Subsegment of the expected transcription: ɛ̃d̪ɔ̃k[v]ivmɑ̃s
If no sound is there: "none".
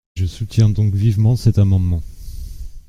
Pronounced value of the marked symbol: v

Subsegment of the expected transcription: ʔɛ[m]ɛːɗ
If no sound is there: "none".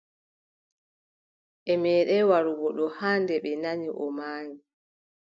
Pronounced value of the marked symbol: m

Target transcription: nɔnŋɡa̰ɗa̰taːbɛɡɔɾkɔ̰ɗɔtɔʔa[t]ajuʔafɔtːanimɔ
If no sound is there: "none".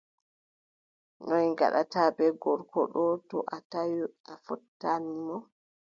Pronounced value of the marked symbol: t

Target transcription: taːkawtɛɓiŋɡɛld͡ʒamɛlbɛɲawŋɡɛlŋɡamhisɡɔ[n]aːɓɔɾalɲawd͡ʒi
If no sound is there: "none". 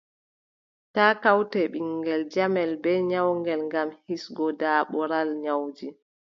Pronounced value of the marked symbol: d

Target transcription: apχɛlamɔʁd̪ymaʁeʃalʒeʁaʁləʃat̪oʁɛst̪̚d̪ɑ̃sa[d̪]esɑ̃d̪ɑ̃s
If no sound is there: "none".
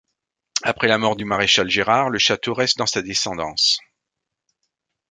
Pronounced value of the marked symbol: d̪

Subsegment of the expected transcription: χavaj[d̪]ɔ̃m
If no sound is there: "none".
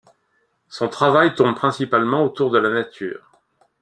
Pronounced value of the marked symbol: t̪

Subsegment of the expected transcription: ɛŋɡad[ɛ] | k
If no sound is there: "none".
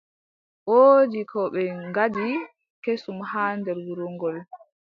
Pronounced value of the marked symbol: i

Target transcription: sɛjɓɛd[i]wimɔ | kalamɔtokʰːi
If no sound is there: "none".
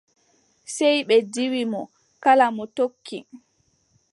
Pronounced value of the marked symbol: i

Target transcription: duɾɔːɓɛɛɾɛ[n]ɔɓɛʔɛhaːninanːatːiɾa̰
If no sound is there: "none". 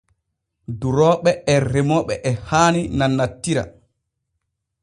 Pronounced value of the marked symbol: m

